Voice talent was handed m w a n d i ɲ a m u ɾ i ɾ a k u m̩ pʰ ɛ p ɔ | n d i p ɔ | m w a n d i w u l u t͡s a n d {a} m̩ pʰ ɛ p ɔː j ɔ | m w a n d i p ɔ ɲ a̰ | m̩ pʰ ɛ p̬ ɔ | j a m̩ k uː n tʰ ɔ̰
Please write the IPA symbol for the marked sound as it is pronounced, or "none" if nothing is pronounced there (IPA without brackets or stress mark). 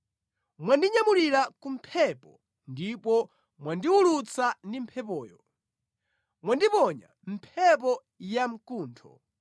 i